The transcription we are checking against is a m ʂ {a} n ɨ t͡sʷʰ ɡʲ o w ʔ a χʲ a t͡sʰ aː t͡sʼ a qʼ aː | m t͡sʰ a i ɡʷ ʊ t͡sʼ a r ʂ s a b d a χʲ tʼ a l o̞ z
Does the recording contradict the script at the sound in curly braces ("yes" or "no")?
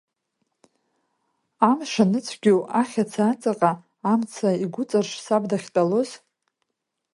no